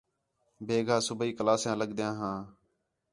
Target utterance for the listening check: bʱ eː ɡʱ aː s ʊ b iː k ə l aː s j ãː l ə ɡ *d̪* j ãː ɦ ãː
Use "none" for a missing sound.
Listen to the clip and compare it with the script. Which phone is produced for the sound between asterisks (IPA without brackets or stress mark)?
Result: d̪